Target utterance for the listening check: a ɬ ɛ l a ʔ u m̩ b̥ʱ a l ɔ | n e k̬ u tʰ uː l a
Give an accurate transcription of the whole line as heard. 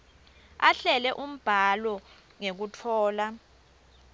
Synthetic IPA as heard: a ɬ ɛ l ɛ ʔ u m̩ b̥ʱ a l ɔ | ŋ e k̬ u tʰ ɔː l a